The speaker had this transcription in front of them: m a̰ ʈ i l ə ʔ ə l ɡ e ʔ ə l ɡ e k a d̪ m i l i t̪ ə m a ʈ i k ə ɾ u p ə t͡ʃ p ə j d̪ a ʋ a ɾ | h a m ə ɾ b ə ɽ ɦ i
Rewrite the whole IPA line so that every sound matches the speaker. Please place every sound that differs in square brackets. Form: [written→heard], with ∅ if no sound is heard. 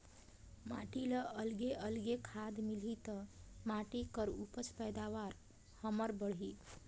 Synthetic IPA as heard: m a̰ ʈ i l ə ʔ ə l ɡ e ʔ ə l ɡ e [k→kʰ] a d̪ m i l i t̪ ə m a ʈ i k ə ɾ u p ə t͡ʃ p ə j d̪ a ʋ a ɾ | h [a→ə] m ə ɾ b ə ɽ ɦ i

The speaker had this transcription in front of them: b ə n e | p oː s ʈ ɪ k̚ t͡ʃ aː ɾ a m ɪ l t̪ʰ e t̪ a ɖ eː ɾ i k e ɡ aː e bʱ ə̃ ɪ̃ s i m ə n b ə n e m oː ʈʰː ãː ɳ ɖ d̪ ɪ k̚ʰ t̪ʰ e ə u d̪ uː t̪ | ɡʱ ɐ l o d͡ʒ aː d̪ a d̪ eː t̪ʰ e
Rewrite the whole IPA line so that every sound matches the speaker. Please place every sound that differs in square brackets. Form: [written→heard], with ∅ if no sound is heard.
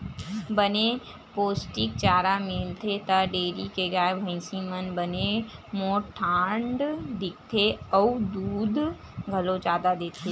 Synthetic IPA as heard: b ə n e | p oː s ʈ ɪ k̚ t͡ʃ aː ɾ a m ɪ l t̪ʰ e t̪ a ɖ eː ɾ i k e ɡ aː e bʱ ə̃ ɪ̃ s i m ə n b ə n e m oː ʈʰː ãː ɳ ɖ d̪ ɪ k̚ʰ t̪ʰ e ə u d̪ uː [t̪→d̪] | ɡʱ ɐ l o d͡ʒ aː d̪ a d̪ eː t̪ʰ e

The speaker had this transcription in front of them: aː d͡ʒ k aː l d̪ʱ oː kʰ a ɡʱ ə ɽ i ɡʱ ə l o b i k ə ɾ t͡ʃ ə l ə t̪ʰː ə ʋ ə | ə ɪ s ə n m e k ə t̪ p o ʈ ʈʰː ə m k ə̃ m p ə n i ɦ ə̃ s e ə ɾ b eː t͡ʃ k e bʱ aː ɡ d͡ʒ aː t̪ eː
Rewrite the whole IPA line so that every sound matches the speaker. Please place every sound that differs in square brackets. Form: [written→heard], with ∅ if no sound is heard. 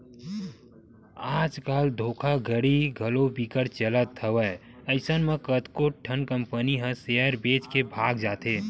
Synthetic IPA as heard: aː d͡ʒ k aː l d̪ʱ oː kʰ a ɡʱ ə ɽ i ɡʱ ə l o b i k ə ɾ t͡ʃ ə l ə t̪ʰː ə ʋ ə | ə ɪ s ə n m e k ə t̪ [p→k] o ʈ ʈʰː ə [m→n] k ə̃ m p ə n i ɦ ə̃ s e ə ɾ b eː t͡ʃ k e bʱ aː ɡ d͡ʒ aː t̪ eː

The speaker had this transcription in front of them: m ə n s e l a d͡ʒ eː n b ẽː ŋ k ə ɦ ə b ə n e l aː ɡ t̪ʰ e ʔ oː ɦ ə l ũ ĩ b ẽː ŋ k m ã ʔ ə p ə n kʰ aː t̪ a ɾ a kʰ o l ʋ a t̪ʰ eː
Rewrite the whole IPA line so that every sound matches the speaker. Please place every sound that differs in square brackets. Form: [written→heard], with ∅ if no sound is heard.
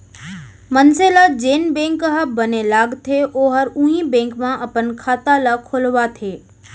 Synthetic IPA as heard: m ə n s e l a d͡ʒ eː n b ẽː ŋ k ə ɦ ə b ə n e l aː ɡ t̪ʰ e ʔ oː ɦ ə [l→ɾ] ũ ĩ b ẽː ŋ k m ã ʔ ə p ə n kʰ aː t̪ a [ɾ→l] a kʰ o l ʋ a t̪ʰ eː

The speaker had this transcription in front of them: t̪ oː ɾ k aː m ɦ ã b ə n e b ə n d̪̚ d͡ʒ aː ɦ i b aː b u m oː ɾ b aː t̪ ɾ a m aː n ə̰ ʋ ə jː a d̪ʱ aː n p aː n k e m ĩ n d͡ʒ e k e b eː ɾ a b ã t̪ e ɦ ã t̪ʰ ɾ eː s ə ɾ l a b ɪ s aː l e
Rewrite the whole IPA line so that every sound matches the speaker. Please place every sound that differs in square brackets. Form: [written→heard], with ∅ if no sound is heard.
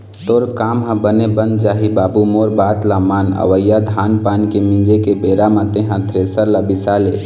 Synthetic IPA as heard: t̪ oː ɾ k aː m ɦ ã b ə n e b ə n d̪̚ d͡ʒ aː ɦ i b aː b u m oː ɾ b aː t̪ [ɾ→l] a m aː n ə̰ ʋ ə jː a d̪ʱ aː n p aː n k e m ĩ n d͡ʒ e k e b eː ɾ a [b→m] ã t̪ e ɦ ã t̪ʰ ɾ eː s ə ɾ l a b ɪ s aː l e

